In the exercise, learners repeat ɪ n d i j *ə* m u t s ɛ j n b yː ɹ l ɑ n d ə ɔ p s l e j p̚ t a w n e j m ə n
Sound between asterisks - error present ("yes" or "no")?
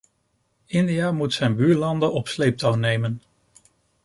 yes